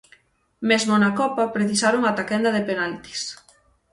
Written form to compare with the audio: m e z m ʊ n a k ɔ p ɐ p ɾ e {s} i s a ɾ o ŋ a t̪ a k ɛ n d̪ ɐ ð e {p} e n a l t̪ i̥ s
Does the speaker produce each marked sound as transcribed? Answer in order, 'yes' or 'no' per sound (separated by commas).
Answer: no, yes